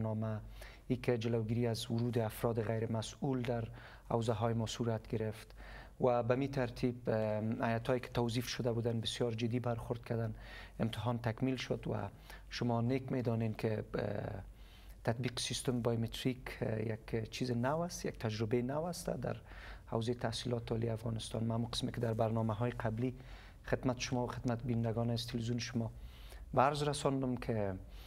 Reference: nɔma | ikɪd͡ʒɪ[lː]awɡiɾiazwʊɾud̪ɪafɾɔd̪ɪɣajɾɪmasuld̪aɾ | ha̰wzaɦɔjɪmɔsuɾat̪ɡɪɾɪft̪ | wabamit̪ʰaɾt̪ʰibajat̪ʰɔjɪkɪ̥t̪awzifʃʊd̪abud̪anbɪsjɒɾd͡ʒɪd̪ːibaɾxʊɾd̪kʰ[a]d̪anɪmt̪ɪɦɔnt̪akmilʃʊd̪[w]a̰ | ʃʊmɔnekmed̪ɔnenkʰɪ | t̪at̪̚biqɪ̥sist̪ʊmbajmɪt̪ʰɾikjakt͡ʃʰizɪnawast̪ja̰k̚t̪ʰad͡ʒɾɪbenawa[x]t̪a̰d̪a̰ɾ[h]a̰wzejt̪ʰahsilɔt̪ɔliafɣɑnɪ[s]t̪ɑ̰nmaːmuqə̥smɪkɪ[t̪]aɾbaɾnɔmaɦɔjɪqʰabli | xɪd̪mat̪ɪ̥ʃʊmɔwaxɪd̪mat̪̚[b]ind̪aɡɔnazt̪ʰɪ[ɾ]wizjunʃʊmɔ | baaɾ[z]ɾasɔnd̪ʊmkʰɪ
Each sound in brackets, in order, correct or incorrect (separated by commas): incorrect, correct, correct, incorrect, correct, correct, incorrect, correct, incorrect, correct